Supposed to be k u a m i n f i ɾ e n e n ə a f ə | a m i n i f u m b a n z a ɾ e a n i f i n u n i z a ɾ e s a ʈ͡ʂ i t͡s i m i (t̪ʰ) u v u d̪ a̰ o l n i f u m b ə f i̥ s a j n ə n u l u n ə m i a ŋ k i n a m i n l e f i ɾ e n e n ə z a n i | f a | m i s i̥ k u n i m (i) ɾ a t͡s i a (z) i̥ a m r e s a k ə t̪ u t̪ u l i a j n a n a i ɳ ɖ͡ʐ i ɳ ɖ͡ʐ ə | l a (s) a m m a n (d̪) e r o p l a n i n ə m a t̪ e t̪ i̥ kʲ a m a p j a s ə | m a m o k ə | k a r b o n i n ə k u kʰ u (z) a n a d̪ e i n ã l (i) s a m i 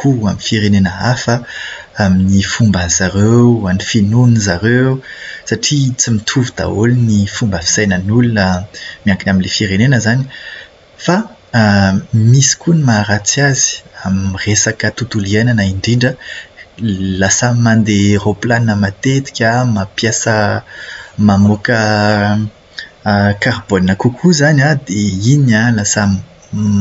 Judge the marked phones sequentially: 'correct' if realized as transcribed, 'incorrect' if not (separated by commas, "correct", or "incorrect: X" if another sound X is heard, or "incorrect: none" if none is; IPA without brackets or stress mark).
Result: correct, incorrect: a, correct, correct, correct, correct, incorrect: a